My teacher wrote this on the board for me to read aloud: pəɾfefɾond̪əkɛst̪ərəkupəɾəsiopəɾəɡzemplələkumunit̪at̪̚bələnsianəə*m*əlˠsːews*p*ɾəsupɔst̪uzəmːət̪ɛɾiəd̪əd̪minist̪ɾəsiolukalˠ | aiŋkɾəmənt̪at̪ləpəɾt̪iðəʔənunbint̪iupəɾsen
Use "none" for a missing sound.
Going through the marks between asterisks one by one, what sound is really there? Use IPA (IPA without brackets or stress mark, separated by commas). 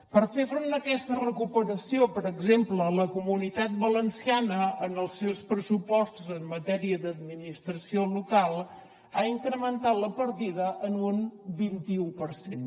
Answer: n, p